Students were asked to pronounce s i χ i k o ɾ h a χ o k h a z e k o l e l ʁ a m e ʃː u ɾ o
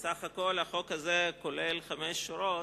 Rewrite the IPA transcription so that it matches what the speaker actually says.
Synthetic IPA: s a χ a k o l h a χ o k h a z e k o l e l χ a m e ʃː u ɾ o